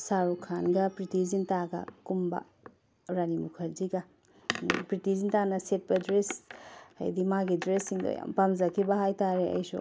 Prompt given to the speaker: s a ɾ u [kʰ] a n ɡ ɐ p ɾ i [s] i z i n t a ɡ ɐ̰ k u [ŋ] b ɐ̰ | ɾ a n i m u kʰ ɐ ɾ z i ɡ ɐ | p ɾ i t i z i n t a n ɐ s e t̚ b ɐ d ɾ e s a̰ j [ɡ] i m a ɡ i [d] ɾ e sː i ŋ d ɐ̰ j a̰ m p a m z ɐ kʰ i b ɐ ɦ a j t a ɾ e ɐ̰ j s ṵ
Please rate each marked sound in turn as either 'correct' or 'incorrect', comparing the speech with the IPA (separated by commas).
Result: correct, incorrect, incorrect, incorrect, correct